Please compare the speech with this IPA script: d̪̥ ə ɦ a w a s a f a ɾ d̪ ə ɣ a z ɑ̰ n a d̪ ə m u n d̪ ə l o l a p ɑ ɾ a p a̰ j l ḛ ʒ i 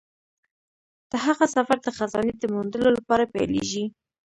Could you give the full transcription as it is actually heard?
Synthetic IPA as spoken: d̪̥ ə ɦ a ɣ a s a f a ɾ d̪ ə x a z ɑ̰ n e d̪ ə m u n d̪ ə l o l a p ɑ ɾ a p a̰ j l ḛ ʒ i